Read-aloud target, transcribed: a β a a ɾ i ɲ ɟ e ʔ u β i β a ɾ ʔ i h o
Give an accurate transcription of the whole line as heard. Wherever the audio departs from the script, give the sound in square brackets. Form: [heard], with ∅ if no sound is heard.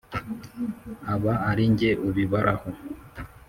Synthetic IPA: a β a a ɾ i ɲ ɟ e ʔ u β i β a ɾ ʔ [a] h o